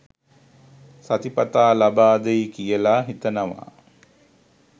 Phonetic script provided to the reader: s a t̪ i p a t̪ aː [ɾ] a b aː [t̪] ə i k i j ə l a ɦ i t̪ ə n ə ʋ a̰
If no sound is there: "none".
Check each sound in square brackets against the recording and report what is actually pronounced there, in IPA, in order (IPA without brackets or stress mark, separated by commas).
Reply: l, d̪